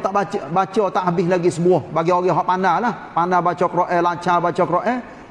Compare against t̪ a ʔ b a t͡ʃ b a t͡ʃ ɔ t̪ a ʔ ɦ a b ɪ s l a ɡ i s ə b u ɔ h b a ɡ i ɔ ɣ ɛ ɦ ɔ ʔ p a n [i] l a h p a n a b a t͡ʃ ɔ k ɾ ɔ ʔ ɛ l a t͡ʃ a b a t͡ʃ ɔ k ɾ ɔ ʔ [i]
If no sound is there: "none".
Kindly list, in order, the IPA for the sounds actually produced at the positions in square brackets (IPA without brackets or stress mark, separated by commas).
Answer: a, ɛ